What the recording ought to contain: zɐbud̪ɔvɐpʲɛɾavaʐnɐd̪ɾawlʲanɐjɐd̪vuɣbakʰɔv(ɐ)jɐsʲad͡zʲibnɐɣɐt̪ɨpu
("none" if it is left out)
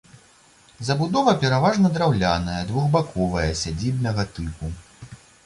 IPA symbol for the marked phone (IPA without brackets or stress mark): ɐ